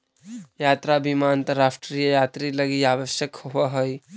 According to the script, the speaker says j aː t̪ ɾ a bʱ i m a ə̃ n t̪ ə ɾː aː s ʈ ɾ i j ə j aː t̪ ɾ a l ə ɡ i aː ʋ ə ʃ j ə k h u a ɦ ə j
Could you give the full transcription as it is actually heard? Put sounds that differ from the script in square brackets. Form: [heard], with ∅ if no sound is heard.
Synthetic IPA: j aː t̪ ɾ a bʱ i m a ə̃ n t̪ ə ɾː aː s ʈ ɾ i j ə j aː t̪ ɾ [i] l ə ɡ i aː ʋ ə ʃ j ə k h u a ɦ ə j